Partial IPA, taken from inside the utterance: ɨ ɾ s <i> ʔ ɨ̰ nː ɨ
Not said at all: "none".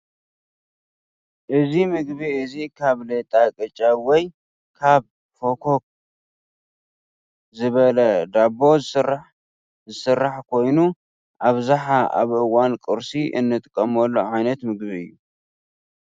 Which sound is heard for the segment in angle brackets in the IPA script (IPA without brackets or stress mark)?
i